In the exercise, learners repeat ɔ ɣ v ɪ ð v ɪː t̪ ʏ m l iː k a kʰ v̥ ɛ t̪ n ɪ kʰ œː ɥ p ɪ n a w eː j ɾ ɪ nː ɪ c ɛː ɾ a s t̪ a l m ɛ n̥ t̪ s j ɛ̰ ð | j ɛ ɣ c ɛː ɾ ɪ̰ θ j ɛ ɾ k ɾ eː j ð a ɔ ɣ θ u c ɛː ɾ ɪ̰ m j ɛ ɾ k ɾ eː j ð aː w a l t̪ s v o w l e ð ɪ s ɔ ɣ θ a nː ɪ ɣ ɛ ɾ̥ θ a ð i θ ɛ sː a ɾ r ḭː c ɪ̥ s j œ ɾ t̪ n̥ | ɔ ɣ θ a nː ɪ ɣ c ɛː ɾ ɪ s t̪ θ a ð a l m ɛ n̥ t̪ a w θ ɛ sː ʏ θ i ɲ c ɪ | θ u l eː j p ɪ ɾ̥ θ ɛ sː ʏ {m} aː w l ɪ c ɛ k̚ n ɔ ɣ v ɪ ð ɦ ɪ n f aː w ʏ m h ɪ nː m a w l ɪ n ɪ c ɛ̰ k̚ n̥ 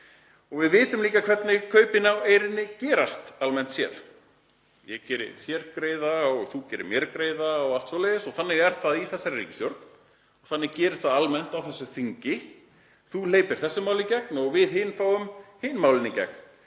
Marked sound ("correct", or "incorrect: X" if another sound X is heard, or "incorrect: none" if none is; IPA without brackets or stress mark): correct